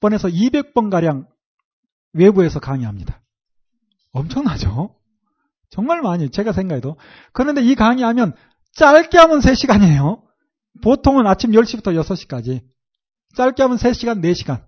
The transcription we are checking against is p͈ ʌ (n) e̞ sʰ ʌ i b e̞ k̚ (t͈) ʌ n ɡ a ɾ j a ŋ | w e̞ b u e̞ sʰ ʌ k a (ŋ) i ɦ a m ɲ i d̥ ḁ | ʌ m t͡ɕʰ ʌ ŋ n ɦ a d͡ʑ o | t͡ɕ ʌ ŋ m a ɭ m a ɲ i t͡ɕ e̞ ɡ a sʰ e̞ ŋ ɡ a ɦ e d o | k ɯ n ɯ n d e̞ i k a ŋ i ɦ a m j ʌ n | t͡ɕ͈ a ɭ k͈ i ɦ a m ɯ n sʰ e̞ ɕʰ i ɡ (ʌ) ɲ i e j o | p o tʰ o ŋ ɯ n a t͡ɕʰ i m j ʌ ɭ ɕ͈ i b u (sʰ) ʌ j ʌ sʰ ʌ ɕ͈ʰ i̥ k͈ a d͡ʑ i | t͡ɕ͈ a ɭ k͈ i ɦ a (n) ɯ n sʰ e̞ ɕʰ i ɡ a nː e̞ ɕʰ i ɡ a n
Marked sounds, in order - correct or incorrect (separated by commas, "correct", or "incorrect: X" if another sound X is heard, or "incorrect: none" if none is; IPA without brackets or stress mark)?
correct, incorrect: p͈, correct, incorrect: a, incorrect: tʰ, incorrect: m